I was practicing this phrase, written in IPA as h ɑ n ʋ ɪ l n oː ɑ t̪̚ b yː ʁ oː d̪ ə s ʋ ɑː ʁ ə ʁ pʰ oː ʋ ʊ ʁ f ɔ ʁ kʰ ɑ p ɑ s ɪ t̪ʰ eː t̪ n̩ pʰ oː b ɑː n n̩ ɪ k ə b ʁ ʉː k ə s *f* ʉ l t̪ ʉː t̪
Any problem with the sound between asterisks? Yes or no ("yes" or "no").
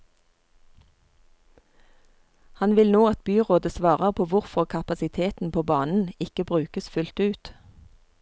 no